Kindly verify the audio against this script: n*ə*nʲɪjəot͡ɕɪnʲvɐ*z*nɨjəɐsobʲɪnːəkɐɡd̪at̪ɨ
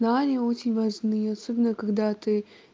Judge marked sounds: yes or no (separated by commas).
no, no